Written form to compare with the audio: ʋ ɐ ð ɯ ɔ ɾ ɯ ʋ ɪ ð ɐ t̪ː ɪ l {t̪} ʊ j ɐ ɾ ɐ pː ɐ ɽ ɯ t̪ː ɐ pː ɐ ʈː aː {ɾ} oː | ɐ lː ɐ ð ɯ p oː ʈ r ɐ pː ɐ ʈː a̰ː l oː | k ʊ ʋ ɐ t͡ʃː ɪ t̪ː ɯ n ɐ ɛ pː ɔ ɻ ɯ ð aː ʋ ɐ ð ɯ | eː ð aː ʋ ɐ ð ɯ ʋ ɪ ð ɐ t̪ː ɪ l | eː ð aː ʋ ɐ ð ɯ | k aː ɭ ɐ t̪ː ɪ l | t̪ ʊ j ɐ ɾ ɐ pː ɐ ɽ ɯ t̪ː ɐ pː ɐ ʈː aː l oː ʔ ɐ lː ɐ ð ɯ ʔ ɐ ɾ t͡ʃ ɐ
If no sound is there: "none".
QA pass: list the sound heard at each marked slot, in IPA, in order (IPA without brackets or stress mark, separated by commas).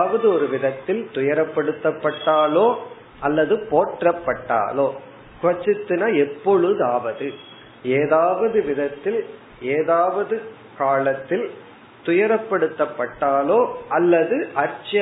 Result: t̪, l